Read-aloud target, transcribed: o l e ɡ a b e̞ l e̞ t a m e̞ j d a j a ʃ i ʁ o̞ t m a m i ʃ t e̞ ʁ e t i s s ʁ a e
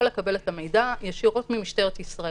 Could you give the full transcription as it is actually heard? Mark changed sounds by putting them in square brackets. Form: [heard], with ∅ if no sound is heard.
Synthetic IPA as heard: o l e [k] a b e̞ l e̞ t a m e̞ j d a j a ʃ i ʁ o̞ t m [i] m i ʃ t e̞ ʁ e t i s s ʁ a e